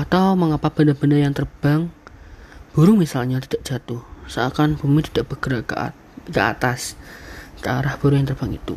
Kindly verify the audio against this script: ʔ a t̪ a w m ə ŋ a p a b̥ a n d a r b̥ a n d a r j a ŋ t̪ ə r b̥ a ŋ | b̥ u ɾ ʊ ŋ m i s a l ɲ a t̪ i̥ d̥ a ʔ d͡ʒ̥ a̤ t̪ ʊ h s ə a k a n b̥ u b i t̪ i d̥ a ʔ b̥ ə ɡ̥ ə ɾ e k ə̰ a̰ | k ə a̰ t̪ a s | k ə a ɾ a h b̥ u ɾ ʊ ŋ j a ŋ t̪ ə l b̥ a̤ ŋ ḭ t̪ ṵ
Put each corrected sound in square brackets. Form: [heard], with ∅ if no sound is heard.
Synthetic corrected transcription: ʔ a t̪ a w m ə ŋ a p a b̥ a n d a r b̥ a n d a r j a ŋ t̪ ə r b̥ a ŋ | b̥ u ɾ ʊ ŋ m i s a l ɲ a t̪ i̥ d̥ a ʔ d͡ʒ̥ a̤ t̪ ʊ h s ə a k a n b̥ u [m] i t̪ i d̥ a ʔ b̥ ə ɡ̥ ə ɾ [a] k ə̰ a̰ | k ə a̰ t̪ a s | k ə a ɾ a h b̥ u ɾ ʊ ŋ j a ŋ t̪ ə [r] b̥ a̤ ŋ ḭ t̪ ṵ